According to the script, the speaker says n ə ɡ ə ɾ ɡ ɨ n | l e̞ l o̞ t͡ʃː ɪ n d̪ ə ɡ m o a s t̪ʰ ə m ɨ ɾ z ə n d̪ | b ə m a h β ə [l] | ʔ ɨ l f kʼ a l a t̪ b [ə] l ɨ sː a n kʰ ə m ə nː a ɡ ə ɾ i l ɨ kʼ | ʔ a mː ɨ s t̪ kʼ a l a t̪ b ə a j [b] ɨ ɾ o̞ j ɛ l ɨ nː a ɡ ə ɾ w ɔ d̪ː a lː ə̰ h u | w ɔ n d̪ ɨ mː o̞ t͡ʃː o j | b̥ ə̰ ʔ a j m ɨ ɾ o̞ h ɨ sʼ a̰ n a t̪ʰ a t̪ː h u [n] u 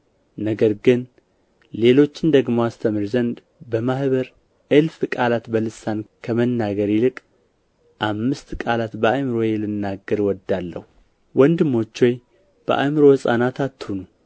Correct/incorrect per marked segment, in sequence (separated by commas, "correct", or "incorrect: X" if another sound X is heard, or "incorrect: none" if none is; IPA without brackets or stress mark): incorrect: ɾ, correct, incorrect: m, correct